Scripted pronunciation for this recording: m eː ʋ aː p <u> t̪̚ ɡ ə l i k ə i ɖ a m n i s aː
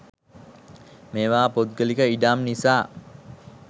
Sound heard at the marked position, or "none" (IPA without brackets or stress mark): o